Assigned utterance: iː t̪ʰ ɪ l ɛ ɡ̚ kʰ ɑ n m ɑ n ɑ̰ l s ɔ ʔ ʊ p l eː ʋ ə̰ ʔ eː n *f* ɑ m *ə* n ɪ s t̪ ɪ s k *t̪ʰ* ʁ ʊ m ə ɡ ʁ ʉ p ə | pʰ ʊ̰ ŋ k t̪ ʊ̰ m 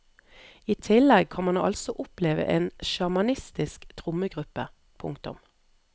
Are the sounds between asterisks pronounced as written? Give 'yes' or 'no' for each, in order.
no, no, yes

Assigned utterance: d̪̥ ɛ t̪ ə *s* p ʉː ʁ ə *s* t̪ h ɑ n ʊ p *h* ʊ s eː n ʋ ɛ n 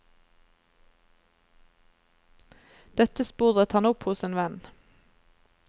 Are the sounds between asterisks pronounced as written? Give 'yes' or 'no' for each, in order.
yes, no, yes

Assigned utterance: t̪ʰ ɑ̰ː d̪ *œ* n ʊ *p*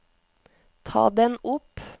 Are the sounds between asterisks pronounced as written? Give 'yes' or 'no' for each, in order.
no, yes

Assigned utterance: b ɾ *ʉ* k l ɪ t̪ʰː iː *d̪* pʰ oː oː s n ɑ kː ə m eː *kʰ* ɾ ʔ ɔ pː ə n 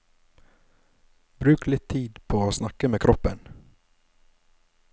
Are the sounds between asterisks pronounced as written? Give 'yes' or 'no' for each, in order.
no, yes, yes

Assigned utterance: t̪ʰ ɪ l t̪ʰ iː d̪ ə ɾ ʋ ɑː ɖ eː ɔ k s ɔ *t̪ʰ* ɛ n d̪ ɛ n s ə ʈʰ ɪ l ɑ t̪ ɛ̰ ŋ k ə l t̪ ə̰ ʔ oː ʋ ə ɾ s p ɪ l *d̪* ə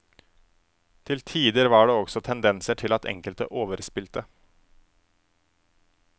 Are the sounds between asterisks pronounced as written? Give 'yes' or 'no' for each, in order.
yes, no

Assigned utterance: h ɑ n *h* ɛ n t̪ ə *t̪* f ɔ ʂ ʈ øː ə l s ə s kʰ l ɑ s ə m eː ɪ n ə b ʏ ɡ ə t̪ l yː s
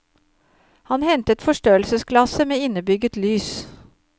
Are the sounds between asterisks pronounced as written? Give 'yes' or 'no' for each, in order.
yes, yes

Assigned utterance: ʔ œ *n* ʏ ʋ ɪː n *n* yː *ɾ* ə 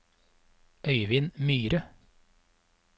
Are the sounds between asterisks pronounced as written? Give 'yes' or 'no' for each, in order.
no, no, yes

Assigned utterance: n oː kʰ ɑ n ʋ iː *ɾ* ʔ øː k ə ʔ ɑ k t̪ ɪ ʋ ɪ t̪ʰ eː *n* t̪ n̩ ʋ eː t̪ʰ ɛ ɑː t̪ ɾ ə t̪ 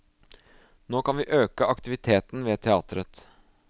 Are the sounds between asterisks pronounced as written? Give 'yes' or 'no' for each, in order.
no, no

